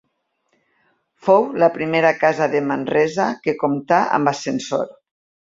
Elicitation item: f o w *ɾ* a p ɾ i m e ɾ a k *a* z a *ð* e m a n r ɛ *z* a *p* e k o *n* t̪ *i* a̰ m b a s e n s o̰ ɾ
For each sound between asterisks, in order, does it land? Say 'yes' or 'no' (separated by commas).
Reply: no, yes, yes, yes, no, no, no